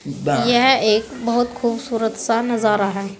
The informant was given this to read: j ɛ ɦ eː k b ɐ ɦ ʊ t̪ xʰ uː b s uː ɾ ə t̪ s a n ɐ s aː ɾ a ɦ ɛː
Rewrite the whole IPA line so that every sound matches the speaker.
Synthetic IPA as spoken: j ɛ ɦ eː k b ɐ ɦ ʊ t̪ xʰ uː b s uː ɾ ə t̪ s a n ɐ z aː ɾ a ɦ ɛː